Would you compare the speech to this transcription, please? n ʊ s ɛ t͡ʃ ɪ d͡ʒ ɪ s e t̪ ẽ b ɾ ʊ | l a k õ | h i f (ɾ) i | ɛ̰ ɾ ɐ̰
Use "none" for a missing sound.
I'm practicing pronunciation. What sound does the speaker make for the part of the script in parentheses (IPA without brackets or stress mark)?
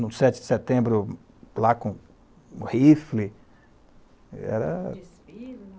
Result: l